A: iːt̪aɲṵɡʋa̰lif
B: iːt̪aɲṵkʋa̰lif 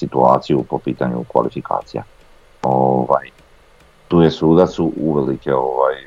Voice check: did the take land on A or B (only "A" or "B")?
B